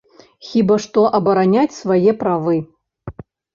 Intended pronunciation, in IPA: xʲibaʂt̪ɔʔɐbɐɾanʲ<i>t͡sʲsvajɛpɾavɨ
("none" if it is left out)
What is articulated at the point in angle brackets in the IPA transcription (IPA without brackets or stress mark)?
a